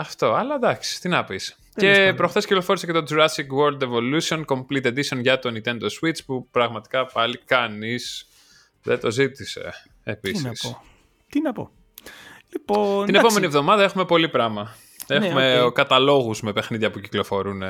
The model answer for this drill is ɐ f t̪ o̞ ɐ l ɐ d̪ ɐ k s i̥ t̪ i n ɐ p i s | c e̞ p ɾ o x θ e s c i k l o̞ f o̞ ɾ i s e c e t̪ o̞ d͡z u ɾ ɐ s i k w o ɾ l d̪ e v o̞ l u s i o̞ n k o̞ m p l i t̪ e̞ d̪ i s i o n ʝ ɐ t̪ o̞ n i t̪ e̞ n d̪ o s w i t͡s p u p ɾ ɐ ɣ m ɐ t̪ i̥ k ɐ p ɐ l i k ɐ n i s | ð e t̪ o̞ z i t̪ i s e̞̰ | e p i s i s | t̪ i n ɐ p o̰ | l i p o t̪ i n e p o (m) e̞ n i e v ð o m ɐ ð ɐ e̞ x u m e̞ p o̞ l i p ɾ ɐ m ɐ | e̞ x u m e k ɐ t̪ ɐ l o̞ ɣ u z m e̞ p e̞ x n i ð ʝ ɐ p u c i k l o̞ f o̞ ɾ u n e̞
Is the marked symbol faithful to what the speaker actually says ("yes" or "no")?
yes